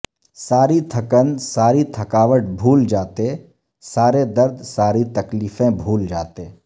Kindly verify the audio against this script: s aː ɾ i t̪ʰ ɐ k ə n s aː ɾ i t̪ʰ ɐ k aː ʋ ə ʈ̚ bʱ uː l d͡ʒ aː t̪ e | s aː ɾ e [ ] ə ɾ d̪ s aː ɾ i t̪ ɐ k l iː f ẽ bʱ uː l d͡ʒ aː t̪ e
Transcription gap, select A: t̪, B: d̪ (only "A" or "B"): B